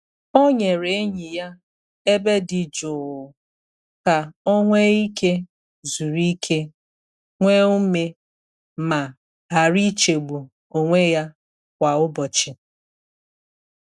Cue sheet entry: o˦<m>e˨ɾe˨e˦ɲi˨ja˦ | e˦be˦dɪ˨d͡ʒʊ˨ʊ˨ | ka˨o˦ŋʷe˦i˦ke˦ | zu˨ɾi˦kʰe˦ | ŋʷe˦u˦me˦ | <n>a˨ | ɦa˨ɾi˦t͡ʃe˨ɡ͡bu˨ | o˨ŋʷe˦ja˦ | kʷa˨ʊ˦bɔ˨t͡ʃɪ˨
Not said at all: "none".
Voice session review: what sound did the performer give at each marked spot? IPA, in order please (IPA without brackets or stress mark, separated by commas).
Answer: ɲ, m